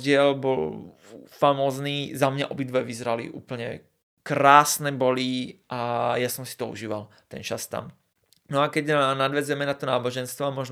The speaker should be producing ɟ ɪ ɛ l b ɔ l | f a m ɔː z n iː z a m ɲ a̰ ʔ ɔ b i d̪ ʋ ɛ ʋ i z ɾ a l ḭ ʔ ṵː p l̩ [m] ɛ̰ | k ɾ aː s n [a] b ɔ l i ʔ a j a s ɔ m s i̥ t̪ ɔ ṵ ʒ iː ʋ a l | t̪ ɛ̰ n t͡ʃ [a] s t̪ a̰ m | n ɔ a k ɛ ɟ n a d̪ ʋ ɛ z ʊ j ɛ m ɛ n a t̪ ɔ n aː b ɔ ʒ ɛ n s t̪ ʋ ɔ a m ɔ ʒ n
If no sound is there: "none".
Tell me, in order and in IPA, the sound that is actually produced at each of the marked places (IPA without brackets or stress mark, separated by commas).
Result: ɲ, ɛ, a